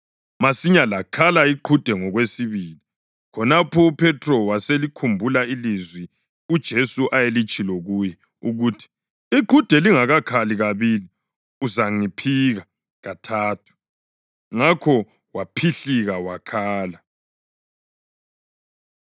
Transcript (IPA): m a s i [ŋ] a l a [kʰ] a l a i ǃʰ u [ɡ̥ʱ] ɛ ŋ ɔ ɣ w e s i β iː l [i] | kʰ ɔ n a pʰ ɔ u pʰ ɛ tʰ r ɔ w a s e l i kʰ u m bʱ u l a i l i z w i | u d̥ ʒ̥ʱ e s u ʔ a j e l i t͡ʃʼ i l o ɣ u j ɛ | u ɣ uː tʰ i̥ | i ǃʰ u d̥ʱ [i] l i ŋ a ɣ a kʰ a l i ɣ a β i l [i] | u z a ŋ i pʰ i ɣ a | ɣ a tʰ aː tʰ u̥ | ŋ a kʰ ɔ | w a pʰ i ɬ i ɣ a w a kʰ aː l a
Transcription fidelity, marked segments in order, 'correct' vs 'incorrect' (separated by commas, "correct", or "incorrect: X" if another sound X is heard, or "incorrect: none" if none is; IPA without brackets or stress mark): incorrect: ɲ, correct, incorrect: d̥ʱ, correct, incorrect: ɛ, correct